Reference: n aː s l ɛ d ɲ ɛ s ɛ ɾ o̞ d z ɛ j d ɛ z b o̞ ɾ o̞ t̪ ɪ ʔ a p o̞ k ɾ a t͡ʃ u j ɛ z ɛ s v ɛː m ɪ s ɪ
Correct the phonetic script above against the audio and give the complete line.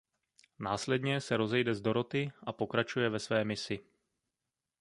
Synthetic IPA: n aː s l ɛ d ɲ ɛ s ɛ ɾ o̞ z ɛ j d ɛ z d o̞ ɾ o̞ t̪ ɪ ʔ a p o̞ k ɾ a t͡ʃ u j ɛ v ɛ s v ɛː m ɪ s ɪ